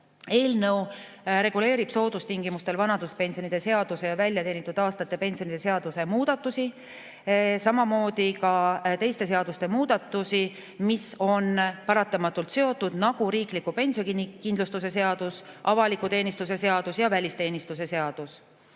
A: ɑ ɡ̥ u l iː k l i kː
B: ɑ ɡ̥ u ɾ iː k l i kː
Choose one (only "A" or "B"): B